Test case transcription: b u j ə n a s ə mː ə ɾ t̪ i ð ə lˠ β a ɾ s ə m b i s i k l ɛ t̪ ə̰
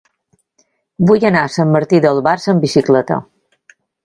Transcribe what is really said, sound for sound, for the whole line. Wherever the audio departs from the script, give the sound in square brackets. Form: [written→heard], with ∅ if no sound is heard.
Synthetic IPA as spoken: b u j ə n a s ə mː ə ɾ t̪ i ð ə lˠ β a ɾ s ə m b i s i k l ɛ t̪ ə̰